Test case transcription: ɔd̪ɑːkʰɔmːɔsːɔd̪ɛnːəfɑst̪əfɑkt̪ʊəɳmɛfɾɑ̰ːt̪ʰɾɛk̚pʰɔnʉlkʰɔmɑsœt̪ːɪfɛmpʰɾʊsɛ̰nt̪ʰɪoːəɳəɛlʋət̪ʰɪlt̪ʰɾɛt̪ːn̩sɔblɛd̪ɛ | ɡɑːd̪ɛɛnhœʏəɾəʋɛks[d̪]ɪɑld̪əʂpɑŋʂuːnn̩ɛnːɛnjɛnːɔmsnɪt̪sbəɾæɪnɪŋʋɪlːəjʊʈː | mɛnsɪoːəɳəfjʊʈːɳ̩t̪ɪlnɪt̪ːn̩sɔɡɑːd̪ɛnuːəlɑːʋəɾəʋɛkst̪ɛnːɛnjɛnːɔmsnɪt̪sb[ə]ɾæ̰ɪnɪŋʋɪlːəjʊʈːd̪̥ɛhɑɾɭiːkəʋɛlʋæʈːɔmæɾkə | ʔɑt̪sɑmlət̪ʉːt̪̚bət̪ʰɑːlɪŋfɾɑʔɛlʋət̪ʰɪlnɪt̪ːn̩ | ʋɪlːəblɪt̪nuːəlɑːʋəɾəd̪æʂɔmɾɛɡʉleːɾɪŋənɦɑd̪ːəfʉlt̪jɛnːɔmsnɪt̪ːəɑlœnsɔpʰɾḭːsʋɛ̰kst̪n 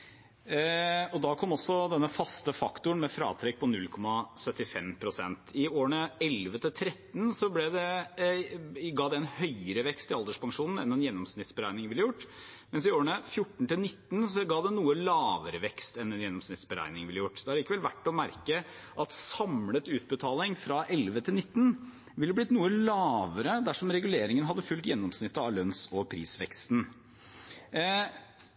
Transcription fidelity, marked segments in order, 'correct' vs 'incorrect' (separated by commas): incorrect, correct